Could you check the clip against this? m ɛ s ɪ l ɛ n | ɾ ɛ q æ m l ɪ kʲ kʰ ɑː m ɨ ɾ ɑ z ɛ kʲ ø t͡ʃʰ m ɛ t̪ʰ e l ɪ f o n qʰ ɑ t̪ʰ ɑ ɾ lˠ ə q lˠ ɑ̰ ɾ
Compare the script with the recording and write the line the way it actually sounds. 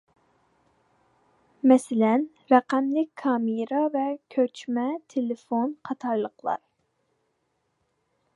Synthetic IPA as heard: m ɛ s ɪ l ɛ n | ɾ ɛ q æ m l ɪ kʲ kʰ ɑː m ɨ ɾ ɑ v ɛ kʲʰ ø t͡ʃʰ m ɛ t̪ʰ e l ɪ f o n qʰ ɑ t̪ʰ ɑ ɾ lˠ ə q lˠ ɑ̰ ɾ